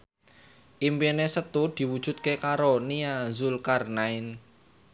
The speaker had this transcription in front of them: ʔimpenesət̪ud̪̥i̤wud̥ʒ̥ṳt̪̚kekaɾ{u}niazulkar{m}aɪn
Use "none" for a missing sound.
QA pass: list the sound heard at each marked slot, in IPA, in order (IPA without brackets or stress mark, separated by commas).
o, n